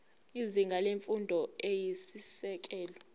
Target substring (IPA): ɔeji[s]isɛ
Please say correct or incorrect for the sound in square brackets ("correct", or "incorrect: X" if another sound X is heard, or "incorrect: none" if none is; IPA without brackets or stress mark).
correct